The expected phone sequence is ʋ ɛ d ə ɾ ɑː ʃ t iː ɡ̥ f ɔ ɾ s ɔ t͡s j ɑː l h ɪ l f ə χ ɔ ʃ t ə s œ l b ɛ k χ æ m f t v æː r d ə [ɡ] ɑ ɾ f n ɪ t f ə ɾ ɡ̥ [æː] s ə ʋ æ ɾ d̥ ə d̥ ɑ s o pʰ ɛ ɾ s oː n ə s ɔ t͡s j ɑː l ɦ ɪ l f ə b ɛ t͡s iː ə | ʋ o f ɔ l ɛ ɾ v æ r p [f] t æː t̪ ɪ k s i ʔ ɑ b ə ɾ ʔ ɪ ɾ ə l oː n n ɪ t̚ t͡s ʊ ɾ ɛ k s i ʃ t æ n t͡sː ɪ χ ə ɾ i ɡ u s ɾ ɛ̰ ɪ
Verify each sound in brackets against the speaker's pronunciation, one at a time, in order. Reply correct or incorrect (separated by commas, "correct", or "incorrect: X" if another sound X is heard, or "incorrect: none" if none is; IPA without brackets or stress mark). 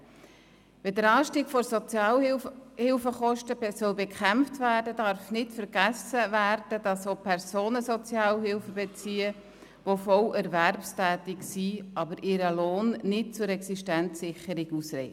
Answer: incorrect: d, incorrect: æ, incorrect: s